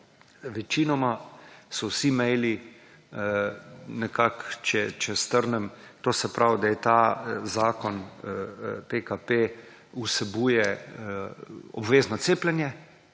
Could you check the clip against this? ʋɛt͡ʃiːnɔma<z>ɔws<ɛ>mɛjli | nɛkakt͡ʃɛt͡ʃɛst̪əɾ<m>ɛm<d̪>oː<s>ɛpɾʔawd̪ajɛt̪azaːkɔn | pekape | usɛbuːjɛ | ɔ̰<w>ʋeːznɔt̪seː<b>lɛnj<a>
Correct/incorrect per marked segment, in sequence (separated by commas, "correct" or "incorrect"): incorrect, incorrect, incorrect, incorrect, correct, incorrect, incorrect, incorrect